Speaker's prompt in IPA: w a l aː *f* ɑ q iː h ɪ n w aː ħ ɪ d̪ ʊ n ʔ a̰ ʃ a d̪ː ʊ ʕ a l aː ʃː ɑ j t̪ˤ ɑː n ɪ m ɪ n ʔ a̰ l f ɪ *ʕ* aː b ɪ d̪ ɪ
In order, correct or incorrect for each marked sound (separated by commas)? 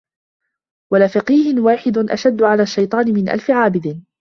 correct, correct